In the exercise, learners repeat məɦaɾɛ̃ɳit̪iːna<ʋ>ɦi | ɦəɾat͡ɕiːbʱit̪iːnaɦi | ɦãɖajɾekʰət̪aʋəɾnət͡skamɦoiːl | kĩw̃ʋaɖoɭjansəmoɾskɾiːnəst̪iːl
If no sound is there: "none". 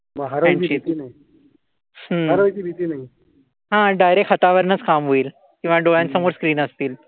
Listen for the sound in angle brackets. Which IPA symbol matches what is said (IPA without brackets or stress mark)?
none